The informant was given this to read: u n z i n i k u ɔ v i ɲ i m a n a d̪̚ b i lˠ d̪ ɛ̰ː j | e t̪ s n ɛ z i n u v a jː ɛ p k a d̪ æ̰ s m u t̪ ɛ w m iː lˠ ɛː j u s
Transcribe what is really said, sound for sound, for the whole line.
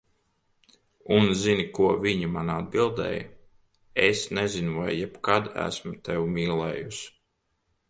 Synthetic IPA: u n z i n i k u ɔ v i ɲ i m a n a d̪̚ b i lˠ d̪ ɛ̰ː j | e s n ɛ z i n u v a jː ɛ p k a d̪ æ̰ s m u t̪ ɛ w m iː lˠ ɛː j u s